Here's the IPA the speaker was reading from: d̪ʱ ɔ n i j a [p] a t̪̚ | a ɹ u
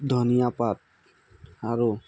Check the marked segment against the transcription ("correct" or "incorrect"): correct